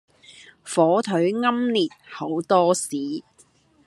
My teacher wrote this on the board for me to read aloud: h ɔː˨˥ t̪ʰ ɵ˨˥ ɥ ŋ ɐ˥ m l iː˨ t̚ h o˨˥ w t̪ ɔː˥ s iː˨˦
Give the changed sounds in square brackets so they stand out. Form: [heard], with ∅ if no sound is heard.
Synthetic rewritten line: [f] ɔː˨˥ t̪ʰ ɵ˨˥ ɥ ŋ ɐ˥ m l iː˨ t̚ h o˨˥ w t̪ ɔː˥ s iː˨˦